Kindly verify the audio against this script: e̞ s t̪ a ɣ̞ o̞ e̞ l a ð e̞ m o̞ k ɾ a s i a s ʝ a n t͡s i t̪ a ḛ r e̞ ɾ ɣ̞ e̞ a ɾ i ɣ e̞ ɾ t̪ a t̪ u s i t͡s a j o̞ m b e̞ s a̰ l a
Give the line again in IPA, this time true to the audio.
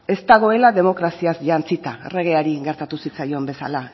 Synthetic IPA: e̞ s t̪ a ɣ̞ o̞ e̞ l a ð e̞ m o̞ k ɾ a s i a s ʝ a n t͡s i t̪ a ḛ r e̞ ɣ̞ e̞ a ɾ i ɣ e̞ ɾ t̪ a t̪ u s i t͡s a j o̞ m b e̞ s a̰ l a